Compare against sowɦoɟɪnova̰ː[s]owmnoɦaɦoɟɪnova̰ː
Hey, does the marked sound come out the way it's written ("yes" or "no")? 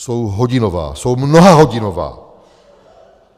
yes